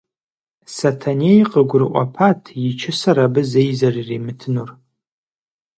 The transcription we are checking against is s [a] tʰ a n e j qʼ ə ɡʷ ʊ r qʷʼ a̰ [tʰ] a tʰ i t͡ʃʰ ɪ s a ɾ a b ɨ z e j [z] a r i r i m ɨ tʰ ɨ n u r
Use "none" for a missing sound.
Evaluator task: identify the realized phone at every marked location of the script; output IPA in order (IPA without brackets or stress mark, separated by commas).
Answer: a, pʰ, z